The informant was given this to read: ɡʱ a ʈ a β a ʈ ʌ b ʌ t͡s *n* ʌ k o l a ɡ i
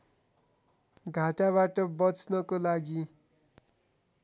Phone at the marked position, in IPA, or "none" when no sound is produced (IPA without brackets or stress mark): n